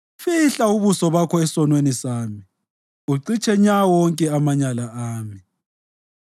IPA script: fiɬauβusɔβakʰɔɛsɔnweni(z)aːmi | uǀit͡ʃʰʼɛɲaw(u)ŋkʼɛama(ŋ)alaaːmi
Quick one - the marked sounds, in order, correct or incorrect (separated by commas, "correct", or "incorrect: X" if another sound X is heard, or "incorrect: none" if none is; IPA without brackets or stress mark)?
incorrect: s, incorrect: ɔ, incorrect: ɲ